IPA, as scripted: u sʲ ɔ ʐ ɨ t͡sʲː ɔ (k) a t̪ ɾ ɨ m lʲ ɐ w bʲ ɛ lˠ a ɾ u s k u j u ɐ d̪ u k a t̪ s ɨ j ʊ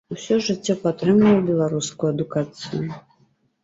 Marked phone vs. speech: incorrect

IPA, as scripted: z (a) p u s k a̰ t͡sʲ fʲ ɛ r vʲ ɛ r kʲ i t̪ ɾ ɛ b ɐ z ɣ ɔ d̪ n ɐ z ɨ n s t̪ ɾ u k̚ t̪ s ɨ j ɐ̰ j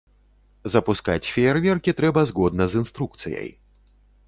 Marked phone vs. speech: incorrect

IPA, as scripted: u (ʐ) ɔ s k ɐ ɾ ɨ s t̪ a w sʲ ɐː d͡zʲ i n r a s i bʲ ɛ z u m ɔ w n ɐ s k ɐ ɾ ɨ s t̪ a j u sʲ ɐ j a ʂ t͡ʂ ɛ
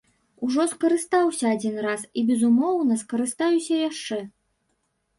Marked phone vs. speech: correct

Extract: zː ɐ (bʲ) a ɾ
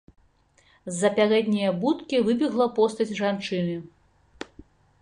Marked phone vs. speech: incorrect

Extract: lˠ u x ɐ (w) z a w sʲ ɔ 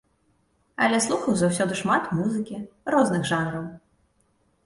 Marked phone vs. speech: correct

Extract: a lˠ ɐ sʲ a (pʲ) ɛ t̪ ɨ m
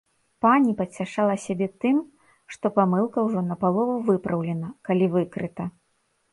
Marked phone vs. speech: incorrect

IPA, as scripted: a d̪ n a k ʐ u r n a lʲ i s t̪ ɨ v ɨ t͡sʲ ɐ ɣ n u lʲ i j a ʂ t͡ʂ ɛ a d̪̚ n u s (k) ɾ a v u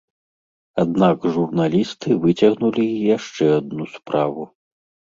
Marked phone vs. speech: incorrect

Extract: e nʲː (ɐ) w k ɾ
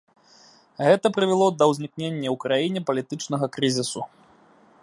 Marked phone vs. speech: correct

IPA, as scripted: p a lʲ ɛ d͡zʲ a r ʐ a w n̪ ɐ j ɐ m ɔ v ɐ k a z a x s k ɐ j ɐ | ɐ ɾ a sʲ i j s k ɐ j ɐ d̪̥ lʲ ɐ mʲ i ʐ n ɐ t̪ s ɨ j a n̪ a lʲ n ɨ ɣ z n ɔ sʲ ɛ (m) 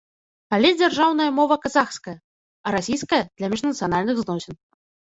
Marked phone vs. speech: incorrect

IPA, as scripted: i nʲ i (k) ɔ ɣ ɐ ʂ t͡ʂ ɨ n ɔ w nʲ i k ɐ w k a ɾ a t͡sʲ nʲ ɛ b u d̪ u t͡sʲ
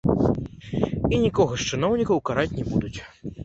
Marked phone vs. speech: correct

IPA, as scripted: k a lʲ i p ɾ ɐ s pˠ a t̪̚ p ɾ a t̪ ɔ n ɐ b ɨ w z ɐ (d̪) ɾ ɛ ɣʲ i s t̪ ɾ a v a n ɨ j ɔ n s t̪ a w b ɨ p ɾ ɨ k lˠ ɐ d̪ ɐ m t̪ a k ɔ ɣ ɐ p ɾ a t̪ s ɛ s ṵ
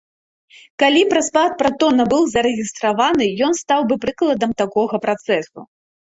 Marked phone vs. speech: incorrect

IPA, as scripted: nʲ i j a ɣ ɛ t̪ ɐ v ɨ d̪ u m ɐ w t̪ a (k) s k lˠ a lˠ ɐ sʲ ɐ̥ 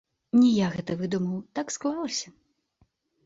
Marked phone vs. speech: correct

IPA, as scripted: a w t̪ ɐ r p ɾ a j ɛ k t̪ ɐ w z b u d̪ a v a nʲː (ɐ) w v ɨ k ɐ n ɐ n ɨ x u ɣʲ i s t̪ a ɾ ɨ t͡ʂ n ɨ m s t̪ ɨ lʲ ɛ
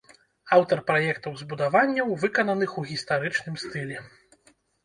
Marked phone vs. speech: correct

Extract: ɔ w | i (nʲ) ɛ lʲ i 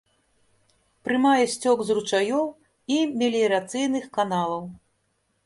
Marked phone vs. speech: incorrect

